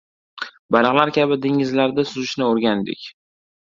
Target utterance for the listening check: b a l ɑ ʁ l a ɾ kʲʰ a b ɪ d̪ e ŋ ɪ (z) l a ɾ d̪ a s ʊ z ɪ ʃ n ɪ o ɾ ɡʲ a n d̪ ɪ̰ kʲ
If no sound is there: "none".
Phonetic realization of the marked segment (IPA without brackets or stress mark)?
z